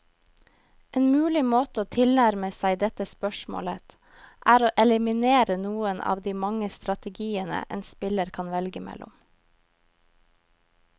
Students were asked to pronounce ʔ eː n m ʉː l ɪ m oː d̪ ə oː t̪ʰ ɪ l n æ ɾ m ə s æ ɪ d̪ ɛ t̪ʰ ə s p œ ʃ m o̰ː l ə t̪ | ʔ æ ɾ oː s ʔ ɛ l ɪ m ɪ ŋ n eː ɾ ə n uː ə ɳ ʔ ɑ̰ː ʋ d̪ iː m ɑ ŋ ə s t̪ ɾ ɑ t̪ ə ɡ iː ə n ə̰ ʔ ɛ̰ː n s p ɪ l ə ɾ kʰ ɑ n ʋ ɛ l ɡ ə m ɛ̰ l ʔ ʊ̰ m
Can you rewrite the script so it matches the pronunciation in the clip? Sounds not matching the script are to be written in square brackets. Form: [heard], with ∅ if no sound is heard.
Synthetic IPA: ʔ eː n m ʉː l ɪ m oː [t̪] ə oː t̪ʰ ɪ l n æ ɾ m ə s æ ɪ d̪ ɛ [t̪] ə s p œ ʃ m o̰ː l ə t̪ | ʔ [æː] ɾ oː [∅] ʔ ɛ l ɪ m ɪ [∅] n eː ɾ ə n uː ə [n] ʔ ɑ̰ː ʋ d̪ iː m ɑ ŋ ə s t̪ ɾ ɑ t̪ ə ɡ iː ə n ə̰ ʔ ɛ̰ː n s p ɪ l ə ɾ kʰ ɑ n ʋ ɛ l ɡ ə m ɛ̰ l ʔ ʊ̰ m